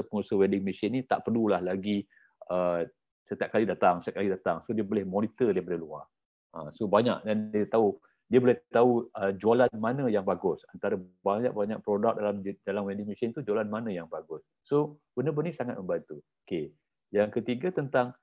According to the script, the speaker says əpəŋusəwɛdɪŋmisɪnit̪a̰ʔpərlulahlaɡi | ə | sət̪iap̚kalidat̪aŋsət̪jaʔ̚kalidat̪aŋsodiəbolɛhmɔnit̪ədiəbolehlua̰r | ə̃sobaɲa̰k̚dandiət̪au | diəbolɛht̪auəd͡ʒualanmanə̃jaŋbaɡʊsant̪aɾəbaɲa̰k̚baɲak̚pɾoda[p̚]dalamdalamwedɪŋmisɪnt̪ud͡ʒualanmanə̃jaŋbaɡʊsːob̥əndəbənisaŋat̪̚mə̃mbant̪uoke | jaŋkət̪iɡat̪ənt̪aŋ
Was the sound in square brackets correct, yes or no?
no